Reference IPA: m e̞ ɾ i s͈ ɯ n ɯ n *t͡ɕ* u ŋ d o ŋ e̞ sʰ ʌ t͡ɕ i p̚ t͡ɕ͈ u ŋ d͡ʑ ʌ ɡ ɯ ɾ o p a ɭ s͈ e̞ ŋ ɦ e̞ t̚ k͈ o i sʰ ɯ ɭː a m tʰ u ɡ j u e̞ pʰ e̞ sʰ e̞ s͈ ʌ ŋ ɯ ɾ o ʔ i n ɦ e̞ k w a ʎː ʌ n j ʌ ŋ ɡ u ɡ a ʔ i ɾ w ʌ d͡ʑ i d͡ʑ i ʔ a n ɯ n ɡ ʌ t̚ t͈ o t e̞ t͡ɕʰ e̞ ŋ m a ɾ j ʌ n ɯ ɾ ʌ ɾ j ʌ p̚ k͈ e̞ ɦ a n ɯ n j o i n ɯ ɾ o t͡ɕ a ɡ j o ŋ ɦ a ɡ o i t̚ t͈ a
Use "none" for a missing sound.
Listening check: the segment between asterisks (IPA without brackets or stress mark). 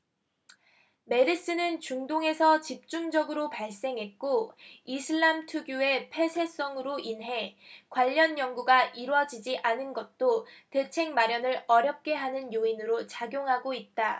t͡ɕ